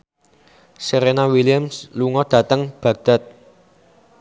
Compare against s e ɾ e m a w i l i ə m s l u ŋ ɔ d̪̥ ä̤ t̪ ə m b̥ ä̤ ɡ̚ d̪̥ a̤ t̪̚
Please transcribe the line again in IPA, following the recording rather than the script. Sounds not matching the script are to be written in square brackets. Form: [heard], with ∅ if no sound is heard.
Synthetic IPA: s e ɾ e [n] a w i l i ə m s l u ŋ ɔ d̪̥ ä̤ t̪ ə [ŋ] b̥ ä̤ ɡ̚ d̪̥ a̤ t̪̚